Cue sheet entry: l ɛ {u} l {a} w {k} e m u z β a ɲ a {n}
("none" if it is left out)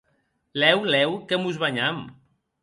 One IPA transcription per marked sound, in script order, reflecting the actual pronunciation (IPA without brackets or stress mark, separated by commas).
w, ɛ, k, m